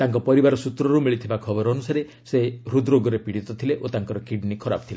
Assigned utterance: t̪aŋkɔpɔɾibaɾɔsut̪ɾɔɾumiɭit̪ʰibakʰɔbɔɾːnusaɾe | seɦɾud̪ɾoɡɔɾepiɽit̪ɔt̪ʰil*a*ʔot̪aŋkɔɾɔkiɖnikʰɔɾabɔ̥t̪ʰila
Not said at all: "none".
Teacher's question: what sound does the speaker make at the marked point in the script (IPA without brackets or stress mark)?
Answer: e